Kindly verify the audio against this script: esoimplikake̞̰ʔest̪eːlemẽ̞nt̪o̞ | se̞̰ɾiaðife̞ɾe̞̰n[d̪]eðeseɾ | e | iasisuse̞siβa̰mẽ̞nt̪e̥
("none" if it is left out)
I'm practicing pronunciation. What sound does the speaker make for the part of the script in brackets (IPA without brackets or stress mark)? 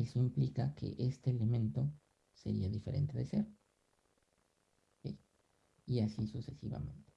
t̪